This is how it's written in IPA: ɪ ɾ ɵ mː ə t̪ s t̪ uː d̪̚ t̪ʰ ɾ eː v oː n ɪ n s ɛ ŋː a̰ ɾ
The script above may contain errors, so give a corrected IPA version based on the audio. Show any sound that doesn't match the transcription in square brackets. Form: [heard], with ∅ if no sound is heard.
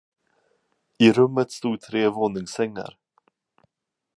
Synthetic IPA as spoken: ɪ ɾ ɵ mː ə t̪ s t̪ uː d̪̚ t̪ʰ ɾ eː v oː n ɪ [ŋ] s ɛ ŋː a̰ ɾ